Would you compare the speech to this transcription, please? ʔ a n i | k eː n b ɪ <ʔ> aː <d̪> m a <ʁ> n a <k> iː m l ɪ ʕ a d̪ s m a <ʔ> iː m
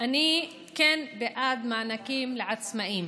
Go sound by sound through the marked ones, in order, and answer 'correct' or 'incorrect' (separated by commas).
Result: correct, correct, incorrect, correct, correct